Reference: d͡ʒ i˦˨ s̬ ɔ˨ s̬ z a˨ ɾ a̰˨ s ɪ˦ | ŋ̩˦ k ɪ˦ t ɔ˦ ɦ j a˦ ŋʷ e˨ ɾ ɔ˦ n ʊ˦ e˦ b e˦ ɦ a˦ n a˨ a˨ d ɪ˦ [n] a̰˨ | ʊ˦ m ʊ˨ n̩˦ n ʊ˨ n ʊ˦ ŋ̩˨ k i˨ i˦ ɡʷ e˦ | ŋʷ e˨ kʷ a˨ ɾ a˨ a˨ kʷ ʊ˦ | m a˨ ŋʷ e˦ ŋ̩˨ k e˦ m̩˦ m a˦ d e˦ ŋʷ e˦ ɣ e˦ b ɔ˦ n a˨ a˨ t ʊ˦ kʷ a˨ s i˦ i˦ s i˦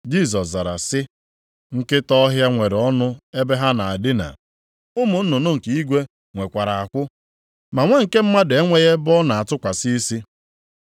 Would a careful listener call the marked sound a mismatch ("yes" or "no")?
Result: no